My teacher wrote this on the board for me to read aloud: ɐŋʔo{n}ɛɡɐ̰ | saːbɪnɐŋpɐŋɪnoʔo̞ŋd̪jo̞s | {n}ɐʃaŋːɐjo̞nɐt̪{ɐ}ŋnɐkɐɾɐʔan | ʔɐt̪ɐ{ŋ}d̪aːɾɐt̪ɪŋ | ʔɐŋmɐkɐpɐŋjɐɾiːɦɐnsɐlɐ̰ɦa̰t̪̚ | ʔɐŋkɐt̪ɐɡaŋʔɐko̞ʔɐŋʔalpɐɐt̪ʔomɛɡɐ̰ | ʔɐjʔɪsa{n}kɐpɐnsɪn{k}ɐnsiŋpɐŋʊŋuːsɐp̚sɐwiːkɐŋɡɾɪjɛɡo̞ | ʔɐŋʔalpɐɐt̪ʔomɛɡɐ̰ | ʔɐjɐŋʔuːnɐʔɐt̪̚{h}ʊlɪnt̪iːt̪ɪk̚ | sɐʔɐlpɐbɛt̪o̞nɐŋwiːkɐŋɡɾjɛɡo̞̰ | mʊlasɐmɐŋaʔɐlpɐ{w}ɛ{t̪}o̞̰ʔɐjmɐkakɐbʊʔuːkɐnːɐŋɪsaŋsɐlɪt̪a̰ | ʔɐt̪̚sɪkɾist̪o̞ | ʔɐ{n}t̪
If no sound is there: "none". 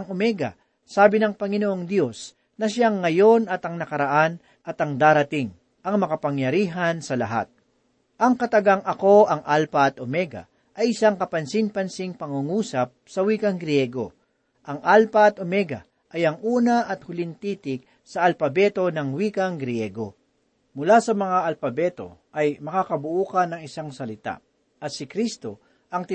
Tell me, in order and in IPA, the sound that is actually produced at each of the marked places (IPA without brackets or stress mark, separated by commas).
m, n, ɐ, ŋ, ŋ, p, h, b, t̪, ŋ